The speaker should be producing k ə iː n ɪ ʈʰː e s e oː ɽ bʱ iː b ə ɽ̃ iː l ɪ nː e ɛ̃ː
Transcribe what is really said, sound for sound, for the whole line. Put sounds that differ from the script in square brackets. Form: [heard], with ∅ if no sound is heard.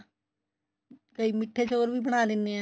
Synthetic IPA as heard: k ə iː [m] ɪ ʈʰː e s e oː [ɾ] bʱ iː b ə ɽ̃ [aː] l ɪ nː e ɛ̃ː